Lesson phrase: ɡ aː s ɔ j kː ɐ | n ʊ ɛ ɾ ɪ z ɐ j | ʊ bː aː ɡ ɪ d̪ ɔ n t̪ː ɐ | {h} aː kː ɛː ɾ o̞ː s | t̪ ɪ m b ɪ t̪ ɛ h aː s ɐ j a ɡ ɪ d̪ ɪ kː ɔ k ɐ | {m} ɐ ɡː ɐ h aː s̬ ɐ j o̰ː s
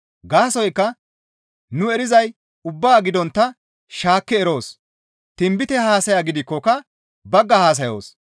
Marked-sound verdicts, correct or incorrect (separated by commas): incorrect, incorrect